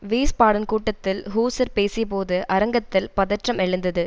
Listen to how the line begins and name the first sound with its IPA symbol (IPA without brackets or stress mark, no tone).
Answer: ʋ